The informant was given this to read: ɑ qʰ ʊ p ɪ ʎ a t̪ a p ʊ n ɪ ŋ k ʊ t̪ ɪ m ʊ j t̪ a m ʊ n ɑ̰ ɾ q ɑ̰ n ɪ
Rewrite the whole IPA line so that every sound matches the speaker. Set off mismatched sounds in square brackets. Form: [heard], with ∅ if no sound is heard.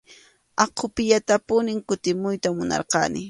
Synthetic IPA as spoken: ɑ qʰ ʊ p ɪ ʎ a t̪ a p ʊ n ɪ ŋ k ʊ t̪ ɪ m ʊ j t̪ a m ʊ n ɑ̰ ɾ q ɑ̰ n ɪ